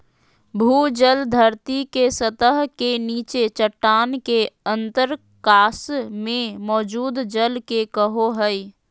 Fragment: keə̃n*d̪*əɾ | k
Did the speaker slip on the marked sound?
yes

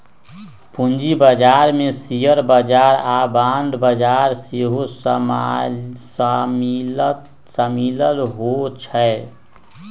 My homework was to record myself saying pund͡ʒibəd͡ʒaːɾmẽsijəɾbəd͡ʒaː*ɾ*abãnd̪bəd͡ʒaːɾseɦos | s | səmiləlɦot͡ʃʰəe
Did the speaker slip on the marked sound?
no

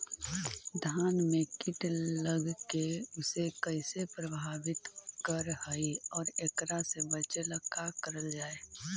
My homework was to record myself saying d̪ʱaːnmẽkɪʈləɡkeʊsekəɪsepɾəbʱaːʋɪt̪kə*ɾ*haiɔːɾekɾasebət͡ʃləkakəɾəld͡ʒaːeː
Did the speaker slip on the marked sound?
no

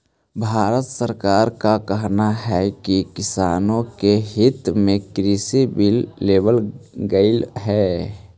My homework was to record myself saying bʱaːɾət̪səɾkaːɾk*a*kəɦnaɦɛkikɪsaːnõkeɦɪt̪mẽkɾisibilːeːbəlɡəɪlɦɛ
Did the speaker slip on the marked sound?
no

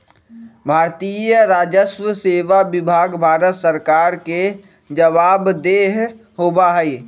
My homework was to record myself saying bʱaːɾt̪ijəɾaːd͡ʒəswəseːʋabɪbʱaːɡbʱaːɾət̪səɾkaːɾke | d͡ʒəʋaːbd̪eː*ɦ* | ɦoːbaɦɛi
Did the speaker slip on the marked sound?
no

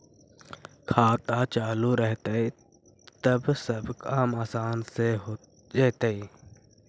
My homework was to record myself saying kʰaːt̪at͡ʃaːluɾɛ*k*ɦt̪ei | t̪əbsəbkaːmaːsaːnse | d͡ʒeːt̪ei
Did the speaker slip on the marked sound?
yes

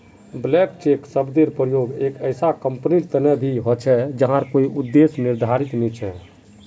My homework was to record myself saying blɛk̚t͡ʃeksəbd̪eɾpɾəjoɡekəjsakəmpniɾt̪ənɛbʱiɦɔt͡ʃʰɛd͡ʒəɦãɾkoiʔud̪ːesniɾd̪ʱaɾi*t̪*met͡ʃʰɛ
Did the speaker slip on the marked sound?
no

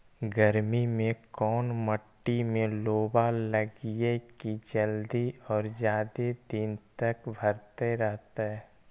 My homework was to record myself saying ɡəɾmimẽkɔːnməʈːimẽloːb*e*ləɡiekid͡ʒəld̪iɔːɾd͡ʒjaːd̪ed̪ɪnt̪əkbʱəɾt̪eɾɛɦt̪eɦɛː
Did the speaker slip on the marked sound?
yes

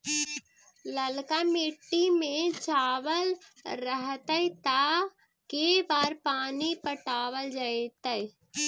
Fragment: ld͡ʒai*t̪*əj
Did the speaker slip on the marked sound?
no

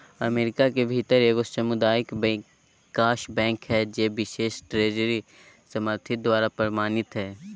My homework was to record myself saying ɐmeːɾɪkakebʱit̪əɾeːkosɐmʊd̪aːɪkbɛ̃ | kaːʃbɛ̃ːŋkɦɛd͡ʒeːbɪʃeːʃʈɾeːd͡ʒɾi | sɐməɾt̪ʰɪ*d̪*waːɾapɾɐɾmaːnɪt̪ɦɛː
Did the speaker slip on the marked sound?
no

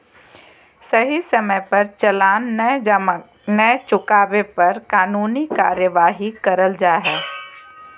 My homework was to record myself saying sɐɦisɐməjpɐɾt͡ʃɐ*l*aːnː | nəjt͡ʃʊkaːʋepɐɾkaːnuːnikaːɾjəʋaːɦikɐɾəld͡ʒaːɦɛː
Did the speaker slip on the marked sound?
no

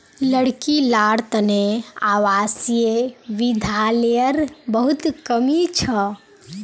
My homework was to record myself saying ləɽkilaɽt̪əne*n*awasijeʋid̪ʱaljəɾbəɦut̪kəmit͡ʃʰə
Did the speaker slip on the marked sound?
yes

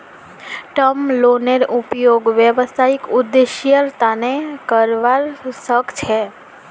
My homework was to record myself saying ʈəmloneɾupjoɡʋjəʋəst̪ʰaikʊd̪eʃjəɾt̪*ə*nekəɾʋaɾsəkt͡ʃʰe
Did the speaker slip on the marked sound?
yes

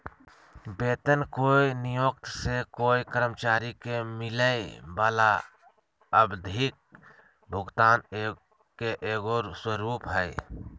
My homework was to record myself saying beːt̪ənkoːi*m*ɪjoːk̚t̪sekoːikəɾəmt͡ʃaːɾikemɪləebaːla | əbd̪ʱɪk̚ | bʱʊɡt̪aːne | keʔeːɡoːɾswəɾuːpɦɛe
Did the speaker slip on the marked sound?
yes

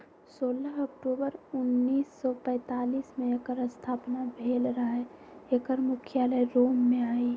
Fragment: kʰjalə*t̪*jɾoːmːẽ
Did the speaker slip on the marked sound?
yes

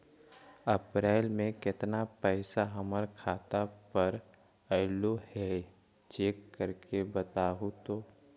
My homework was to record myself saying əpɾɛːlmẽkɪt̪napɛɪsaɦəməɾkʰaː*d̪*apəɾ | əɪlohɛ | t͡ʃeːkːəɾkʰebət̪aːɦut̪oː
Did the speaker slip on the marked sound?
yes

